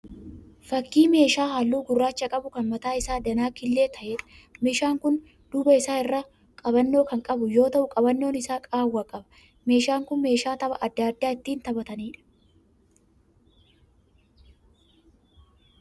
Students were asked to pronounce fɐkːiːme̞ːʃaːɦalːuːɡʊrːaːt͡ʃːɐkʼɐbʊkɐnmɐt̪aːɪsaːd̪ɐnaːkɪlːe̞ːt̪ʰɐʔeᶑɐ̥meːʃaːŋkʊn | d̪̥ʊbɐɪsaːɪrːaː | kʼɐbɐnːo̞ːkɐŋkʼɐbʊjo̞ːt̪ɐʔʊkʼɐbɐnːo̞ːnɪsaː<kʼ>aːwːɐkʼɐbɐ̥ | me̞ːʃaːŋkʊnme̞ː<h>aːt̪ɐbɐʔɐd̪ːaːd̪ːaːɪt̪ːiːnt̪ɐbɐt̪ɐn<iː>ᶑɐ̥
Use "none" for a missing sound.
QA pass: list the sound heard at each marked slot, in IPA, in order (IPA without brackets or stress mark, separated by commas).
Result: kʼ, ʃ, iː